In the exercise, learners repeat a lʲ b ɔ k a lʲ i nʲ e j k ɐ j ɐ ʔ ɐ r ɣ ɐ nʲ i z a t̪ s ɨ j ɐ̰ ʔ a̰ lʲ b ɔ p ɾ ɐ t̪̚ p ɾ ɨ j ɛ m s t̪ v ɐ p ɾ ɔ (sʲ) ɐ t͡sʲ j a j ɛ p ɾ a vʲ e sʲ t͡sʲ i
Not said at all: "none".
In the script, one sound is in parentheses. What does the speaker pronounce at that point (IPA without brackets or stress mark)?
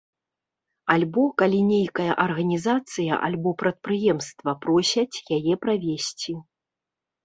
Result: sʲ